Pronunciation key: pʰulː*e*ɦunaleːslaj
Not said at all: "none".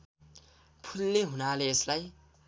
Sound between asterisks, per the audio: e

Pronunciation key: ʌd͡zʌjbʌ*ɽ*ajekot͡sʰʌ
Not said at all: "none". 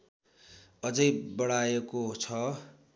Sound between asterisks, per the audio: ɽ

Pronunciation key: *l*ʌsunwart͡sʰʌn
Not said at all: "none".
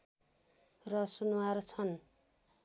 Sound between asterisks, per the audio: r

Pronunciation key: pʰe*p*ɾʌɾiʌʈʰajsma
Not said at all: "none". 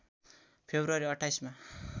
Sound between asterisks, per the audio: b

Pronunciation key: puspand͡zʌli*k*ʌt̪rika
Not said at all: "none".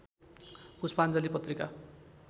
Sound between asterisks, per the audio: p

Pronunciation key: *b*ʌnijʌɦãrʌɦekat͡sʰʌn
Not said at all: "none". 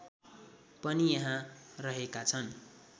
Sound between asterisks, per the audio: p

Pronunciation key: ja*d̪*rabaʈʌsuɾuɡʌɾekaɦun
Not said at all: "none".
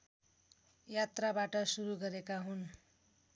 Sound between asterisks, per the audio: t̪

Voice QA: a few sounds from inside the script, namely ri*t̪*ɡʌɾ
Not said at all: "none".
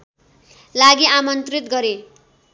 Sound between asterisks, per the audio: t̪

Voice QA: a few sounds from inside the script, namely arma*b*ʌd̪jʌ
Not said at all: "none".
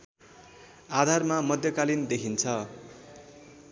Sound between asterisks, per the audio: m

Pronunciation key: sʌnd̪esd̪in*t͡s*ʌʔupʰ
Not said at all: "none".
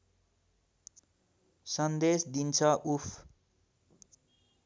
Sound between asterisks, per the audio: t͡sʰ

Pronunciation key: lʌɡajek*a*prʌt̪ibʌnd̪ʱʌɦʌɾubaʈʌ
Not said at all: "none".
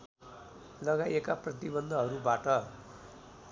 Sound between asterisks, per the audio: a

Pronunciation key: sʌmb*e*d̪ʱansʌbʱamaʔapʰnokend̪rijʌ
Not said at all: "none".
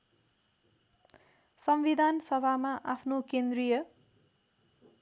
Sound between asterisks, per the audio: i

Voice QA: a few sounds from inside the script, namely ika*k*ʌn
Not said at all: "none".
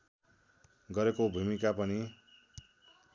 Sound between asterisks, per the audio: p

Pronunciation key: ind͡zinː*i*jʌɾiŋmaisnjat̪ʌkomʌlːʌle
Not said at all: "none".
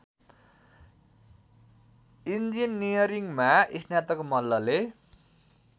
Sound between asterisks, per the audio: i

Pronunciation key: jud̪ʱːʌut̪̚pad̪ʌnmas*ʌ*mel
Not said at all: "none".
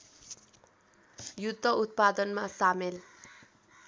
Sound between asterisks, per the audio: a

